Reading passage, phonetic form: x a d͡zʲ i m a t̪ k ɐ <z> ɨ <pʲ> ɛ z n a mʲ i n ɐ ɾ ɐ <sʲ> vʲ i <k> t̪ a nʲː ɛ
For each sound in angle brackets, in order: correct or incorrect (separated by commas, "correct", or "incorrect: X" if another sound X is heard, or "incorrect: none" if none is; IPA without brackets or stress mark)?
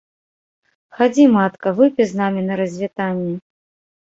incorrect: v, correct, incorrect: zʲ, incorrect: none